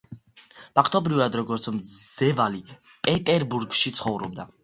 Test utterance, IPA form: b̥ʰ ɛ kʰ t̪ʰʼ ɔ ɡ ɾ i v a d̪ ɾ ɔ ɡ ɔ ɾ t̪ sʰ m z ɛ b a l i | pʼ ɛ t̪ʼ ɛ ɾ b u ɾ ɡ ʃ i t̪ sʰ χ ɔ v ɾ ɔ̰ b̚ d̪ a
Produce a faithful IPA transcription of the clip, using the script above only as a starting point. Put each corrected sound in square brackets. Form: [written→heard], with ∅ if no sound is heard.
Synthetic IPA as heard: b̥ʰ [ɛ→a] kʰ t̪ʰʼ ɔ [ɡ→b] ɾ i v a d̪ ɾ ɔ ɡ ɔ ɾ t̪ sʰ m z ɛ [b→v] a l i | pʼ ɛ t̪ʼ ɛ ɾ b u ɾ ɡ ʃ i t̪ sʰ χ ɔ v ɾ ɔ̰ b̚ d̪ a